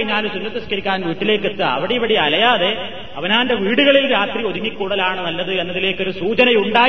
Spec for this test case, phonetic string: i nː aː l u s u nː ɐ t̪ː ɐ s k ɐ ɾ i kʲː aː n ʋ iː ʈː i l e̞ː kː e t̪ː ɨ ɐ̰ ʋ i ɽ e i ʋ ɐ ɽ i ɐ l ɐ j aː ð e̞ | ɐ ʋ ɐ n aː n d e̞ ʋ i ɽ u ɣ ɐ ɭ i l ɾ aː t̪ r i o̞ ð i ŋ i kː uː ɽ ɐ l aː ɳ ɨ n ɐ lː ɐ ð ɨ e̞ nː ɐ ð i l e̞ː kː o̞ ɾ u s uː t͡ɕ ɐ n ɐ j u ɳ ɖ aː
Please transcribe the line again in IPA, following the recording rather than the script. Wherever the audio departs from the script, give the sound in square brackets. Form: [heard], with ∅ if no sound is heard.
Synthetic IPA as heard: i [ɲː] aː l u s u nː ɐ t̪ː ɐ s k ɐ ɾ i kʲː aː n ʋ iː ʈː i l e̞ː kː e t̪ː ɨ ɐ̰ ʋ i ɽ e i ʋ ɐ ɽ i ɐ l ɐ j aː ð e̞ | ɐ ʋ ɐ n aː n d e̞ ʋ [iː] ɽ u ɣ ɐ ɭ i l ɾ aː t̪ r i o̞ ð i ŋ i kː uː ɽ ɐ l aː ɳ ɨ n ɐ lː ɐ ð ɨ e̞ nː ɐ ð i l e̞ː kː o̞ ɾ u s uː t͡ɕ ɐ n ɐ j u ɳ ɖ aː